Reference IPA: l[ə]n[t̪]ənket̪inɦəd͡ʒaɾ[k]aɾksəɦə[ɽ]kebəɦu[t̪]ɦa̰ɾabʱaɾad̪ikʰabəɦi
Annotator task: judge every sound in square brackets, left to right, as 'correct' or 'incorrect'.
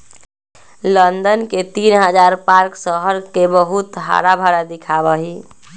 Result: correct, incorrect: d̪, incorrect: p, incorrect: ɾ, correct

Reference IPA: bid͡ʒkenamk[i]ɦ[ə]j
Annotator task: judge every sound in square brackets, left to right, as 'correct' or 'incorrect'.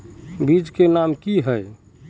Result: correct, correct

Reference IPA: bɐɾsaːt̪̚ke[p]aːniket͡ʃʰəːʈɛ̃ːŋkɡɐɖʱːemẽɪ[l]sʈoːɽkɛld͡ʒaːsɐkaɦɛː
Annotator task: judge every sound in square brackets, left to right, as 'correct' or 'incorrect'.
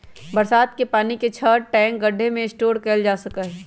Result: correct, incorrect: none

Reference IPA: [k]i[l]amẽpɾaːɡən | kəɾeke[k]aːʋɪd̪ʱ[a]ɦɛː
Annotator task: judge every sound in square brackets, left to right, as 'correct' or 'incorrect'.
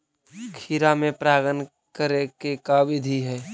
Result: incorrect: kʰ, incorrect: ɾ, correct, incorrect: i

